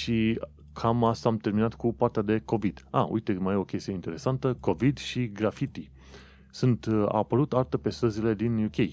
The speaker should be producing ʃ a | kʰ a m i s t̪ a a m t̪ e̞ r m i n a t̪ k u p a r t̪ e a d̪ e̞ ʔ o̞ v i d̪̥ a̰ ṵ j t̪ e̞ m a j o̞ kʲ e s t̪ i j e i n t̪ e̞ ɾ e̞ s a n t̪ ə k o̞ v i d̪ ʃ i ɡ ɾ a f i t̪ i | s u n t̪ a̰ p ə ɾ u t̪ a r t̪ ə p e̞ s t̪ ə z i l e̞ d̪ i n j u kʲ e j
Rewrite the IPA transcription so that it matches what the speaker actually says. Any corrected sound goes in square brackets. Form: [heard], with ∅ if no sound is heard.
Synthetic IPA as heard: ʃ [i] | kʰ a m [a] s t̪ a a m t̪ e̞ r m i n a t̪ k u p a r t̪ e a d̪ e̞ [k] o̞ v i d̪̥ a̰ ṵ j t̪ e̞ m a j o̞ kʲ e s t̪ i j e i n t̪ e̞ ɾ e̞ s a n t̪ ə k o̞ v i d̪ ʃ i ɡ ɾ a f i t̪ i | s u n t̪ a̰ p ə ɾ u t̪ a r t̪ ə p e̞ s t̪ ə z i l e̞ d̪ i n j u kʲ e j